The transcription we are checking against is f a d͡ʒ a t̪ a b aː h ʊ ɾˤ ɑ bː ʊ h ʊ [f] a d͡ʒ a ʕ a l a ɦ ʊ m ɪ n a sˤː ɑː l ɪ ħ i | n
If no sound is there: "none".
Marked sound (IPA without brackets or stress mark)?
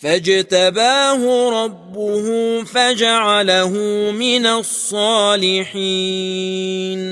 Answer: f